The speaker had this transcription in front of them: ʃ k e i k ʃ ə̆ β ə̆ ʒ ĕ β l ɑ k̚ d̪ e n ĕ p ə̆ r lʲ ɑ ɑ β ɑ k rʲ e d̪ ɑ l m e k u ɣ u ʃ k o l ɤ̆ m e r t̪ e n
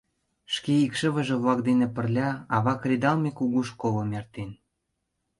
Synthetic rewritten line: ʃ k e i k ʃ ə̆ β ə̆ ʒ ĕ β l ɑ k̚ d̪ e n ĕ p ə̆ r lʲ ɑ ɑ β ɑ k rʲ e d̪ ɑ l m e k u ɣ u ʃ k o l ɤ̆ m e r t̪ e n